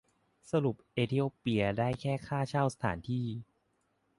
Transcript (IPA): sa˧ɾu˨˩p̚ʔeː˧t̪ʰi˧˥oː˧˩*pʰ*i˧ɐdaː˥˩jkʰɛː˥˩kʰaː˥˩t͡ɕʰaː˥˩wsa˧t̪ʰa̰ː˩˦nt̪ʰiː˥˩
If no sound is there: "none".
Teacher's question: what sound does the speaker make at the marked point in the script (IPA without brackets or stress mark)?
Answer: p